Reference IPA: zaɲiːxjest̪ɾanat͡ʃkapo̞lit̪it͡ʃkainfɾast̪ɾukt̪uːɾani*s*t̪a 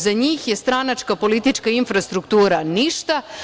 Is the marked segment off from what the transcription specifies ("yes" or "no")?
yes